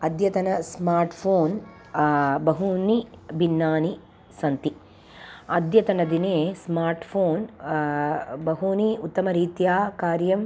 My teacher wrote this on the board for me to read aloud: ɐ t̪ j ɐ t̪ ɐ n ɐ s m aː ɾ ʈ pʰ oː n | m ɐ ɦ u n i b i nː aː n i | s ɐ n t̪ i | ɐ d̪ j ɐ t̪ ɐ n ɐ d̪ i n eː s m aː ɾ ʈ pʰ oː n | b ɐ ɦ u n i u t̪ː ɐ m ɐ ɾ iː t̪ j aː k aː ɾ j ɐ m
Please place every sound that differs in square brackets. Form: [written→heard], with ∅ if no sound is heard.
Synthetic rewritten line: ɐ [t̪→d̪] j ɐ t̪ ɐ n ɐ s m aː ɾ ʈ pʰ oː n | [m→b] ɐ ɦ u n i b i nː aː n i | s ɐ n t̪ i | ɐ d̪ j ɐ t̪ ɐ n ɐ d̪ i n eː s m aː ɾ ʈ pʰ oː n | b ɐ ɦ u n i u t̪ː ɐ m ɐ ɾ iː t̪ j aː k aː ɾ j ɐ m